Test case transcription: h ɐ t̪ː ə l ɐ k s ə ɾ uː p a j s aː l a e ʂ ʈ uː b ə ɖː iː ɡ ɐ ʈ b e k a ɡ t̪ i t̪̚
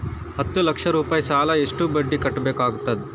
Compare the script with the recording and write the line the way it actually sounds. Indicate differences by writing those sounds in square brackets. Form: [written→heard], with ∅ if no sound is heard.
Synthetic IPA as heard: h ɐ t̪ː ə l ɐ k [s→ʂ] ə ɾ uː p a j s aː l a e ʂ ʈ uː b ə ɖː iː [ɡ→k] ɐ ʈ b e k a ɡ t̪ [i→a] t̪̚